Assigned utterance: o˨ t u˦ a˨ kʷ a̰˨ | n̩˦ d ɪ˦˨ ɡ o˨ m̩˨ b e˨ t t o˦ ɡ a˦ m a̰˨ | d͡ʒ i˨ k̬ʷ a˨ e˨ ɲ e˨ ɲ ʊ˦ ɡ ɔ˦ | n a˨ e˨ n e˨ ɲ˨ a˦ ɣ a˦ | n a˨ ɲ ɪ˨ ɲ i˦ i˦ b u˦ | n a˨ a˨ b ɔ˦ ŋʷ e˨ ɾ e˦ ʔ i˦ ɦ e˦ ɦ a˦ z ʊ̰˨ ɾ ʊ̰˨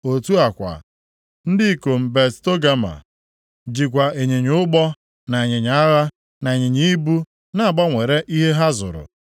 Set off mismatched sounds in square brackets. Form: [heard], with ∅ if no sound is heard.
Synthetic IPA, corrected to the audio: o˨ t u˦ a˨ kʷ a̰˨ | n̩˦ d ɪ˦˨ [k] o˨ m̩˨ b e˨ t t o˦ ɡ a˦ m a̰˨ | d͡ʒ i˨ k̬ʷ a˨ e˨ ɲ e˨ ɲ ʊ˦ [ɡ͡b] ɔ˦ | n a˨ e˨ [ɲ] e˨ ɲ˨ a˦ ɣ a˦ | n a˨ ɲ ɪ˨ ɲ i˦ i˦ b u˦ | n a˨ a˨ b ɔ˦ ŋʷ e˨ ɾ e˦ ʔ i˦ ɦ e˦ ɦ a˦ z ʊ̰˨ ɾ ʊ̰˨